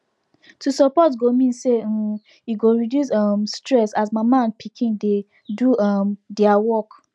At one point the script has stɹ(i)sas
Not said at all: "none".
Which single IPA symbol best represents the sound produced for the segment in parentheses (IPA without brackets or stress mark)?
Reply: ɛ